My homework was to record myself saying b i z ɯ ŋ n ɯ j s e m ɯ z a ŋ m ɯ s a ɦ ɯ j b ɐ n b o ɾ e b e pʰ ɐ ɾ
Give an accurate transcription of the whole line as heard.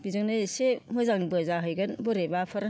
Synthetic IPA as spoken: b i z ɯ ŋ n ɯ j s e m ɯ z a ŋ b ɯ z a ɦ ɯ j ɡ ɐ n b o ɾ e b a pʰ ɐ ɾ